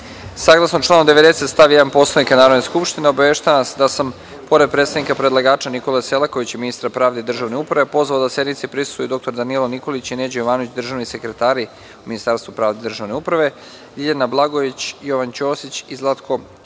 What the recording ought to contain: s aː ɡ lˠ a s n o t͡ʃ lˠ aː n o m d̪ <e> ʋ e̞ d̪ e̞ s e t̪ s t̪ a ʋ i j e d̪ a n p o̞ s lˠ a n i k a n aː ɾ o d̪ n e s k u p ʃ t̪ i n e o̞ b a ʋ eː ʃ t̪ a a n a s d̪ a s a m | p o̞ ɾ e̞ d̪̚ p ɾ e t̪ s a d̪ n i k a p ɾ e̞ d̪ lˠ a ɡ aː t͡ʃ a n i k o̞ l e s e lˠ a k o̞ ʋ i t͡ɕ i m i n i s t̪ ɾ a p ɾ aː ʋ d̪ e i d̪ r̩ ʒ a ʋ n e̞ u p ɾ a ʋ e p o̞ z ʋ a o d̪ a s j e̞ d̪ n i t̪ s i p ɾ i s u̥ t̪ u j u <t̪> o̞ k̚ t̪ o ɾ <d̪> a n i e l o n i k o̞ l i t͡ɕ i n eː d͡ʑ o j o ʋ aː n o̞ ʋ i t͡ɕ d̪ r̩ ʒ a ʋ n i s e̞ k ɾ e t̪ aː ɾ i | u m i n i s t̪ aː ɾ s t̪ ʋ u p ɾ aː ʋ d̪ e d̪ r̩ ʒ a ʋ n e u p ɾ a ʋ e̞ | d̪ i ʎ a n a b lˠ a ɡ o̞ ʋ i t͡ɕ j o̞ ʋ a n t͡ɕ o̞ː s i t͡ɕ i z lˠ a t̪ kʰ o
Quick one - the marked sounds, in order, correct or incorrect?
correct, incorrect: d̪, correct

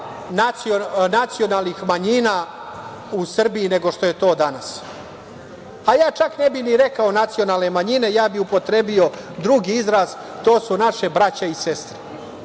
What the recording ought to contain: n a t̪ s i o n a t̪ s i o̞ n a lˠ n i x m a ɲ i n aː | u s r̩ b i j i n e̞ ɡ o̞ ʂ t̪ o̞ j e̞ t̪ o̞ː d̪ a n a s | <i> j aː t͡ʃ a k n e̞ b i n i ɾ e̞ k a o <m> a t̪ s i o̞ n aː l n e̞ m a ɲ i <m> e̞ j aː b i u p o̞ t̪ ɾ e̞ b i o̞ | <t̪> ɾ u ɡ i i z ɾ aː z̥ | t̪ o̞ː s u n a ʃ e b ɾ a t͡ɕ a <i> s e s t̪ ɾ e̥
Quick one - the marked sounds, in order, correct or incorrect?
incorrect: a, incorrect: n, incorrect: n, incorrect: d̪, correct

